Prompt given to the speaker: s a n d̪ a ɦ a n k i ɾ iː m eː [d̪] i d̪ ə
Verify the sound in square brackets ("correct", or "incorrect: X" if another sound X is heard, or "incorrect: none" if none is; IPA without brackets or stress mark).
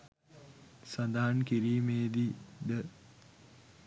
correct